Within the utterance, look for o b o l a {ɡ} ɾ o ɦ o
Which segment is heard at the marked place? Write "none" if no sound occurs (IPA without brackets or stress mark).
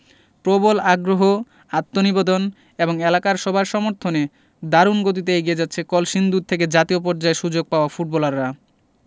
ɡ